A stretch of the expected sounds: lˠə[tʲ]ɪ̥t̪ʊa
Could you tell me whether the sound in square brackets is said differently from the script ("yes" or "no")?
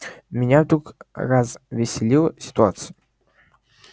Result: yes